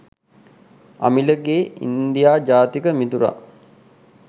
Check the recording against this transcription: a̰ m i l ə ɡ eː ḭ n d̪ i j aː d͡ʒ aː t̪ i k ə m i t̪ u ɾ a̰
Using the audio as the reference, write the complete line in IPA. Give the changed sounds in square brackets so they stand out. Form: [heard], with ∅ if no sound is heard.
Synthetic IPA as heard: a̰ m i l ə ɡ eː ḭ n d̪ i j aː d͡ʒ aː t̪ i k ə m i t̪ u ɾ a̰